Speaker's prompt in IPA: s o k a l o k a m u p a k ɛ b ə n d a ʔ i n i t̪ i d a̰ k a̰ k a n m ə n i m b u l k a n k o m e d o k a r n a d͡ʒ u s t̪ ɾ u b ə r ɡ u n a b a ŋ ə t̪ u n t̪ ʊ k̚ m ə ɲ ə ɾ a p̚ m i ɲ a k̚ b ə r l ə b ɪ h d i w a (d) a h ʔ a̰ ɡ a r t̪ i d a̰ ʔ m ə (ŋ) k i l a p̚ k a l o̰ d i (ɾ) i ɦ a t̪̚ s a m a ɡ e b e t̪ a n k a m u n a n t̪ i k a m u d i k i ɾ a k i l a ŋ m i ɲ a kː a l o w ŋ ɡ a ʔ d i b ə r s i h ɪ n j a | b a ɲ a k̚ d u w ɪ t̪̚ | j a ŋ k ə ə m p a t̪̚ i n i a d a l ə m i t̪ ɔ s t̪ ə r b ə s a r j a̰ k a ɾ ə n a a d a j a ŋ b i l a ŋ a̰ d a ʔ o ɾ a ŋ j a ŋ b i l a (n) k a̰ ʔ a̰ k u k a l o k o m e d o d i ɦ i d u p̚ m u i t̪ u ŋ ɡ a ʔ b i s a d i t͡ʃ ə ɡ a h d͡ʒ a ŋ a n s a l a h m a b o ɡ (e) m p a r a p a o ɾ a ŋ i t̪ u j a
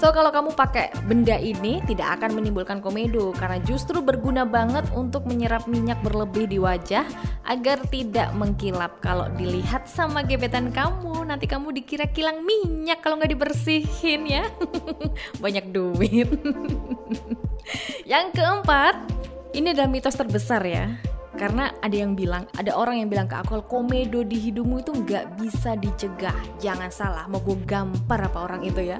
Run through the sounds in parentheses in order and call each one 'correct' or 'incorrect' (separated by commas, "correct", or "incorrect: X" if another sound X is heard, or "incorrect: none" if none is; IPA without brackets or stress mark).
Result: incorrect: d͡ʒ, correct, incorrect: l, incorrect: ŋ, incorrect: a